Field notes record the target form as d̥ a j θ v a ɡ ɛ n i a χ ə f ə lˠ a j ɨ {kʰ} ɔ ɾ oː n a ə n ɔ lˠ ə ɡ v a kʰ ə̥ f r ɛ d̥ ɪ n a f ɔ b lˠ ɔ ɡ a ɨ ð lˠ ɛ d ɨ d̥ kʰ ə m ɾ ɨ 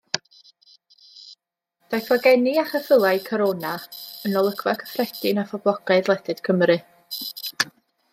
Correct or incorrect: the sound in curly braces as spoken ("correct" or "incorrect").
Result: correct